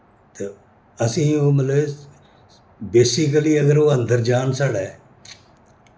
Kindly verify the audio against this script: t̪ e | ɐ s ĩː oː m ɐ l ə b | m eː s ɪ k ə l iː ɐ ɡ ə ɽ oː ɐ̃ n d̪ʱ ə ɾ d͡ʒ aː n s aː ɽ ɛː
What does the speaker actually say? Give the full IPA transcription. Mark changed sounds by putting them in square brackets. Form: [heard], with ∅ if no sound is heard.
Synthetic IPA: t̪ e | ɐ s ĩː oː m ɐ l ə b | [b] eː s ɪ k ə l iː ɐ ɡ ə [ɾ] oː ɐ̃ n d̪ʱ ə ɾ d͡ʒ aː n s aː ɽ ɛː